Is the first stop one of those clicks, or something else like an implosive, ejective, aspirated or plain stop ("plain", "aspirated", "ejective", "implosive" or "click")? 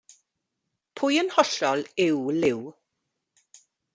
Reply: aspirated